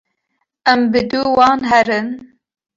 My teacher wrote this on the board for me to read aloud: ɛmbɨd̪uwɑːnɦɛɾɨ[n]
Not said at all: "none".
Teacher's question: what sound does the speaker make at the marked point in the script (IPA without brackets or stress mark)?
n